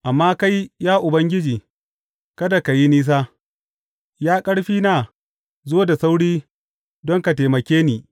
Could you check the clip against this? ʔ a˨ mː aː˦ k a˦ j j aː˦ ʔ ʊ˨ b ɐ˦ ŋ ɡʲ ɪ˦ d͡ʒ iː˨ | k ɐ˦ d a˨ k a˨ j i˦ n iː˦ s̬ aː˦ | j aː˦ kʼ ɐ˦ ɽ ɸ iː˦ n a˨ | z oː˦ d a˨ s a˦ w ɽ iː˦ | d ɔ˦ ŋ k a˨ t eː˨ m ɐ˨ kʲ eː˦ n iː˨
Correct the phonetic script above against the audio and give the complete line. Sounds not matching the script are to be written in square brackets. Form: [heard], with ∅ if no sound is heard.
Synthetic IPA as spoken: ʔ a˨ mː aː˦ k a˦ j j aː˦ ʔ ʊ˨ b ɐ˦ ŋ ɡʲ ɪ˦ d͡ʒ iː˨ | k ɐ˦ d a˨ k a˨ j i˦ n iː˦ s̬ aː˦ | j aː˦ kʼ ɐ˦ ɽ ɸ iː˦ n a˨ | z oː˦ d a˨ s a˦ w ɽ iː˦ | d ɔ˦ ŋ k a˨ t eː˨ m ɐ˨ kʲ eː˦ n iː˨